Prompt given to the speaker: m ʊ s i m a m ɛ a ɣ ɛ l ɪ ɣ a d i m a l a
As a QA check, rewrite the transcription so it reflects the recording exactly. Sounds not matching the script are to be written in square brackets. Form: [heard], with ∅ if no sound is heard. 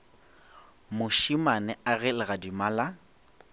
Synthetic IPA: m ʊ [ʃ] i m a [n] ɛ a ɣ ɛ l ɪ ɣ a d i m a l a